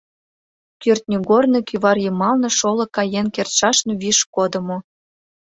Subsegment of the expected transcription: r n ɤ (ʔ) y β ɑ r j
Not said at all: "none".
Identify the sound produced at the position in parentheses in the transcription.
k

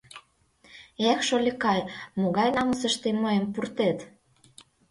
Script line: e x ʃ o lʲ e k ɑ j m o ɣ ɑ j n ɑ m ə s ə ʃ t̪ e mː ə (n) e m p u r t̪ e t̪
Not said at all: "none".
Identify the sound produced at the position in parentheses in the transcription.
none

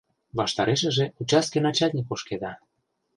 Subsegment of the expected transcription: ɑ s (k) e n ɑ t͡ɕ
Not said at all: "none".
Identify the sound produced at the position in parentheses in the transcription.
k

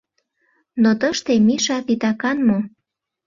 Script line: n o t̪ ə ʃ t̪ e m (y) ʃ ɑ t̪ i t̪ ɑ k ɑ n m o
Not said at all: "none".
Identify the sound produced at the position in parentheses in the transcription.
i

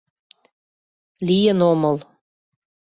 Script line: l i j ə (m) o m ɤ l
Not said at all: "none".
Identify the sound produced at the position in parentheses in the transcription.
n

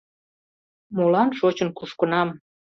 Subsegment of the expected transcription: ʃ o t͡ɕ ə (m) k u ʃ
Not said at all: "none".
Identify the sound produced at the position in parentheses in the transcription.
n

